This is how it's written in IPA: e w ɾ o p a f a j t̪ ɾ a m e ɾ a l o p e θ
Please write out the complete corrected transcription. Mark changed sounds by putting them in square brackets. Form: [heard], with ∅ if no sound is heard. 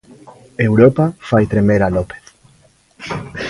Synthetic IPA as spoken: e w ɾ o p a f a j t̪ ɾ [e] m e ɾ a l o p e θ